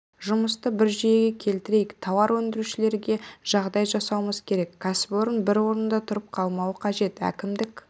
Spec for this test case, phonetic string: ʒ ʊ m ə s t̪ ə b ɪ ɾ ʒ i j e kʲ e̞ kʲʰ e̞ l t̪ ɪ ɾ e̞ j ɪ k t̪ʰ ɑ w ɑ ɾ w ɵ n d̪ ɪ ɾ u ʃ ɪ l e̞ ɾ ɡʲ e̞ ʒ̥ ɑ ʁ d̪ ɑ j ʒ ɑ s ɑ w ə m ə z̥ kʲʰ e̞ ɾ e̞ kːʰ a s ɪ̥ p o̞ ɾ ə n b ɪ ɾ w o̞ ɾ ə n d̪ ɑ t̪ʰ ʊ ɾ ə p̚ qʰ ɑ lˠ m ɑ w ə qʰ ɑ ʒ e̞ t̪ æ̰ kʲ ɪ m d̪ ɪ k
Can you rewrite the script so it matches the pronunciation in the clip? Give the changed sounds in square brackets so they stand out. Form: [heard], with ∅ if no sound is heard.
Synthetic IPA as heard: ʒ ʊ m ə s t̪ ə b ɪ ɾ ʒ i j e [ɡʲ] e̞ kʲʰ e̞ l t̪ ɪ ɾ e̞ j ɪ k t̪ʰ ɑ w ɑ ɾ w ɵ n d̪ ɪ ɾ u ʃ ɪ l e̞ ɾ ɡʲ e̞ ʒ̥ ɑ ʁ d̪ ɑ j ʒ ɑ s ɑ w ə m ə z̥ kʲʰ e̞ ɾ e̞ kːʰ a s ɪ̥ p o̞ ɾ ə n b ɪ ɾ w o̞ ɾ ə n d̪ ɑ t̪ʰ ʊ ɾ ə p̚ qʰ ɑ lˠ m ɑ w ə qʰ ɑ ʒ e̞ t̪ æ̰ kʲ ɪ m d̪ ɪ k